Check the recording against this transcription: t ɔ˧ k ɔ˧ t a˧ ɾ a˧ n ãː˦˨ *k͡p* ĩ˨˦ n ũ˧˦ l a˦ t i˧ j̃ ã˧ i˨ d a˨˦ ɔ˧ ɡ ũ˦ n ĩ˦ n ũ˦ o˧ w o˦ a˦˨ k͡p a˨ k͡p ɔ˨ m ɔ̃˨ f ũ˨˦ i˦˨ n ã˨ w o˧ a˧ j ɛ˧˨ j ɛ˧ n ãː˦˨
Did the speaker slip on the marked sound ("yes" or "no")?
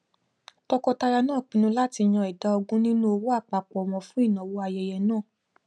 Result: no